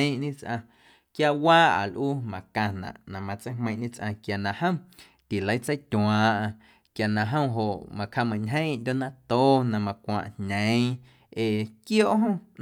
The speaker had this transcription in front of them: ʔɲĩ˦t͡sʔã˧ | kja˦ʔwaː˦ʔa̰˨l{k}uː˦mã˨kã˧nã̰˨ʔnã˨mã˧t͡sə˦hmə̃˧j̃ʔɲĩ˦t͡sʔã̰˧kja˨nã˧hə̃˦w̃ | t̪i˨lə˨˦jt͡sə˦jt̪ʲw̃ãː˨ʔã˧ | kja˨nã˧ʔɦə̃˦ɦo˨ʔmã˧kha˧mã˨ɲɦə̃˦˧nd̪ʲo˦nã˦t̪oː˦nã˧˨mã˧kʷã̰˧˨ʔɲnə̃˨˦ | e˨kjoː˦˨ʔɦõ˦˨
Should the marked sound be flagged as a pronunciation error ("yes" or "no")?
yes